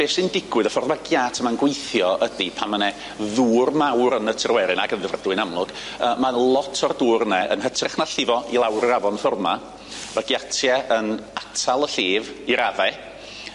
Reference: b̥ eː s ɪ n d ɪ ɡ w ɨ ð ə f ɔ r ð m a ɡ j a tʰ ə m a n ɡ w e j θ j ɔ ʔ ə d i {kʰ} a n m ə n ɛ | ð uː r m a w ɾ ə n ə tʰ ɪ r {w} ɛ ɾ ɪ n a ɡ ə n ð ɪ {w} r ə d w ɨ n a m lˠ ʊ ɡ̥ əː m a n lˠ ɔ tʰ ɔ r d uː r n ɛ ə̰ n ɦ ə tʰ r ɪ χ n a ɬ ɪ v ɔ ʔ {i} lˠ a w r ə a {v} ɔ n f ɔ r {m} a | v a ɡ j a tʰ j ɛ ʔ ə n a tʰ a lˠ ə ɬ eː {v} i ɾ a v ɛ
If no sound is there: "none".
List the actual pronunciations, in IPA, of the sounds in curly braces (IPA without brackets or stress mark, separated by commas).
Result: pʰ, w, v, i, v, m, v